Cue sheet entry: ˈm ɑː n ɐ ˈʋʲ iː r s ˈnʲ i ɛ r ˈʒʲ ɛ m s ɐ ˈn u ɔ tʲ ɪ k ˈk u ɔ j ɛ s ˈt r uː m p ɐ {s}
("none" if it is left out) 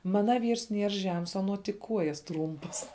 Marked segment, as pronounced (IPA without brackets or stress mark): s